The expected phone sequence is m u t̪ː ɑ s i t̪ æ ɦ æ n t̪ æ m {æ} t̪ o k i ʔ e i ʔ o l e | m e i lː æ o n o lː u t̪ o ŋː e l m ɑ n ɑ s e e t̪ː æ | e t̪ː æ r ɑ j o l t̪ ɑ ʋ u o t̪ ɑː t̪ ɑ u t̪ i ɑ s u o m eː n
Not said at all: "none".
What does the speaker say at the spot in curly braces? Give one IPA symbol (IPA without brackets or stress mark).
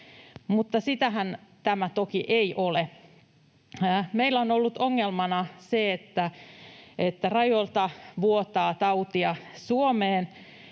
æ